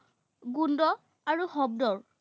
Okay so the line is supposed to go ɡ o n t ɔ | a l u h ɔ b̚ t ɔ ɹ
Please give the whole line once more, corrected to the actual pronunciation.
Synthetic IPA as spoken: ɡ u n d ɔ | a ɹ u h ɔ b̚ d ɔ ɹ